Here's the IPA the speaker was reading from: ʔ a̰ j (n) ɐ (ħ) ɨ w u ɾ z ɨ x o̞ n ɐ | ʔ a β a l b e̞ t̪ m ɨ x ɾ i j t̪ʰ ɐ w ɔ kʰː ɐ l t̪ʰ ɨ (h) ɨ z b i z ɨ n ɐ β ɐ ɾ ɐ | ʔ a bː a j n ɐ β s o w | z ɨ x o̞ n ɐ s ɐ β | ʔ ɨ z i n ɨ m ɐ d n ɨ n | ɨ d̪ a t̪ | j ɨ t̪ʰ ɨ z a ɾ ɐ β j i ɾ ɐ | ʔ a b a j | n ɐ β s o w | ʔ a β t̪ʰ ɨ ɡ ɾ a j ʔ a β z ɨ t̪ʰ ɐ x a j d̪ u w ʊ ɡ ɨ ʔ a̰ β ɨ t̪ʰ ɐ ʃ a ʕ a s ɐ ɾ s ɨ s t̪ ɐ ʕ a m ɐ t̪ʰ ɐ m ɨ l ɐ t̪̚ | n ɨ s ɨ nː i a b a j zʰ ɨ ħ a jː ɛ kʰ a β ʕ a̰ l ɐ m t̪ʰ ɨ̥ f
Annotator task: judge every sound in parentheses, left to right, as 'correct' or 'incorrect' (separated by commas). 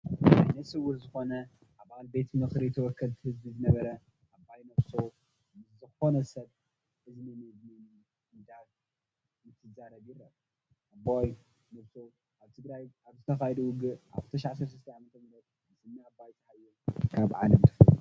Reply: correct, incorrect, correct